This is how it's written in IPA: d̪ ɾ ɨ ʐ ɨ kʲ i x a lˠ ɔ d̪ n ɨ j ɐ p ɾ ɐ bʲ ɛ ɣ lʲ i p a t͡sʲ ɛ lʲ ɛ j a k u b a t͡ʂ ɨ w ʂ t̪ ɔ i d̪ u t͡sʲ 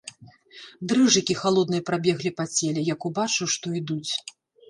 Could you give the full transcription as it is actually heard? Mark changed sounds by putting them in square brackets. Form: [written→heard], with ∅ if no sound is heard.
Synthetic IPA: d̪ ɾ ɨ ʐ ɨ kʲ i x a lˠ ɔ d̪ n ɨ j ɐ p ɾ [ɐ→a] bʲ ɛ ɣ lʲ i p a t͡sʲ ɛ lʲ ɛ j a k u b a t͡ʂ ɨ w ʂ t̪ ɔ i d̪ u t͡sʲ